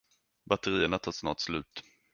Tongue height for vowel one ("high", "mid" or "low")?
low